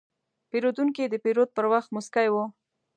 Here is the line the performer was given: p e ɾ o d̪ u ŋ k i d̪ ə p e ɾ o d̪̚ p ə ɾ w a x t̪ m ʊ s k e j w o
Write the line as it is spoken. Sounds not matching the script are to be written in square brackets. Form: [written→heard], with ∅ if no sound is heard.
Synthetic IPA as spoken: p e ɾ o d̪ u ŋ k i d̪ ə p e ɾ o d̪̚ p ə ɾ w a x t̪ m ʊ s k [e→a] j w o